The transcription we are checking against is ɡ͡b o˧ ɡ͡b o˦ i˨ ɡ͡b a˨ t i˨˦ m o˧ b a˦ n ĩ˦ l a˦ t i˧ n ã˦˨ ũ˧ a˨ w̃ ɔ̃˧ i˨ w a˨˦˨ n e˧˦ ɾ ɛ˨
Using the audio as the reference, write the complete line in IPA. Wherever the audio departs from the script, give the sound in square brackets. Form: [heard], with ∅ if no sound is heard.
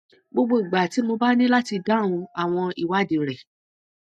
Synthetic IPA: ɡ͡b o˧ ɡ͡b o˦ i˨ ɡ͡b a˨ t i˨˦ m o˧ b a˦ n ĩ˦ l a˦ t i˧ [d] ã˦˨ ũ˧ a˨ w̃ ɔ̃˧ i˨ w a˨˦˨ [d] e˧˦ ɾ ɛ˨